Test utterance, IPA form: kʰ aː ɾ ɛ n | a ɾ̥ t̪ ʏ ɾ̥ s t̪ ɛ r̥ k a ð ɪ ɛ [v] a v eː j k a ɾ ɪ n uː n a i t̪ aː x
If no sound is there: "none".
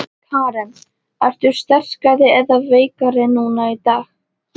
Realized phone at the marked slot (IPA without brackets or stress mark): ð